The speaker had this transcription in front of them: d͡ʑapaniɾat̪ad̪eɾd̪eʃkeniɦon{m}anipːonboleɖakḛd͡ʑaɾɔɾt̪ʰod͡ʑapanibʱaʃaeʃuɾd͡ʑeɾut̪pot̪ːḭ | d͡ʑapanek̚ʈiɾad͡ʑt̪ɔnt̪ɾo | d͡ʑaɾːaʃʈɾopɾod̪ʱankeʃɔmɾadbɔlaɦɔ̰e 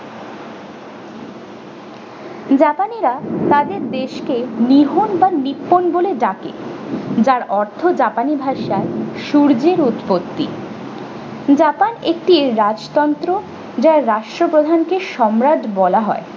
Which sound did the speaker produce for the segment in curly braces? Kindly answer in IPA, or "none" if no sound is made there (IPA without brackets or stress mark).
b